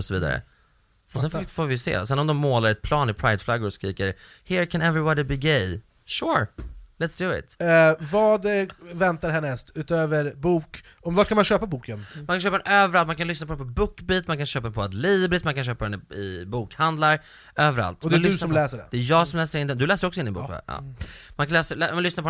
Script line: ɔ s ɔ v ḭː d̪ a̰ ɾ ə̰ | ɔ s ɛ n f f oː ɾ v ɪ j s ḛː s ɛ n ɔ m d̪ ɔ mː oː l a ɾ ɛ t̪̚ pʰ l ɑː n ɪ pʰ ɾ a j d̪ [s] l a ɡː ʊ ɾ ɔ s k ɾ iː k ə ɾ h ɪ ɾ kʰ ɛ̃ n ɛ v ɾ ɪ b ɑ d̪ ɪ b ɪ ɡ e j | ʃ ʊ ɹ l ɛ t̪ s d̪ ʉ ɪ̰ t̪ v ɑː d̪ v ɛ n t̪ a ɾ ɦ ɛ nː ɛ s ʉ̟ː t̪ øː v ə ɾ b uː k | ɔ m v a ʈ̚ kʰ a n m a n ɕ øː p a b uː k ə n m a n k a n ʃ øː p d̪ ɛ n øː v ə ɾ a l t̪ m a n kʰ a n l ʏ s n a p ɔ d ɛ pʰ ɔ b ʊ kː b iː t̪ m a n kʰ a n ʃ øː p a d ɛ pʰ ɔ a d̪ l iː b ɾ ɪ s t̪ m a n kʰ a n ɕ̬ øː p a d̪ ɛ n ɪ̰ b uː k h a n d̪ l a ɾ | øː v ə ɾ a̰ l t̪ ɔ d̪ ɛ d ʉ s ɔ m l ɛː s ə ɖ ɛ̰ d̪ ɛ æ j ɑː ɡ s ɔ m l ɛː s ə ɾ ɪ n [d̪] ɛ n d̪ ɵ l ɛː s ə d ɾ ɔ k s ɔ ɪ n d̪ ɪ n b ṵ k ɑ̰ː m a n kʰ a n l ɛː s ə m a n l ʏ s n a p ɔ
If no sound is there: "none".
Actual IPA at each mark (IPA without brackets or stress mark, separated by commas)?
f, d̪